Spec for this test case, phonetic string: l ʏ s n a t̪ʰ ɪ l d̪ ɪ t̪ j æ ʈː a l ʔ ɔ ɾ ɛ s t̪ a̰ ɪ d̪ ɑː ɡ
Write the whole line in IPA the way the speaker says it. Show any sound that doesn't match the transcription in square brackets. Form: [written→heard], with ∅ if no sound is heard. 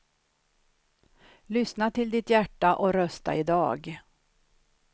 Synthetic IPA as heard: l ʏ s n a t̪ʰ ɪ l d̪ ɪ t̪ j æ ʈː a [l→∅] ʔ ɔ ɾ [ɛ→œ] s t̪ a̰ ɪ d̪ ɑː ɡ